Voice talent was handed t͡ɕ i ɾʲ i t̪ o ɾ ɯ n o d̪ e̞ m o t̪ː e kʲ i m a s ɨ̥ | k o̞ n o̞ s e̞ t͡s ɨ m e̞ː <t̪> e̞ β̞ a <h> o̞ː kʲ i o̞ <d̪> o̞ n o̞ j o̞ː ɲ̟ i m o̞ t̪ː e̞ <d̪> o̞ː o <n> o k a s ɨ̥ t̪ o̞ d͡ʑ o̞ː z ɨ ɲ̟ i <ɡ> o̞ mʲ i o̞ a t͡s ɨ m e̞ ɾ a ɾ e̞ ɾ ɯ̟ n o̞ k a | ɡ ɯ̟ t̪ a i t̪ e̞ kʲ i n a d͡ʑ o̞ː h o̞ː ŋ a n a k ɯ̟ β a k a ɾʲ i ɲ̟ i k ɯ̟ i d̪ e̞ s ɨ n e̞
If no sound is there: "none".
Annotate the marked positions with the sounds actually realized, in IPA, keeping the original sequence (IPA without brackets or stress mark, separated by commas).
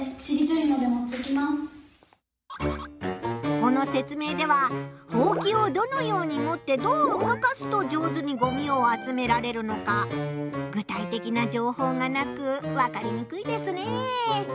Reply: d̪, h, d̪, d̪, m, ɡ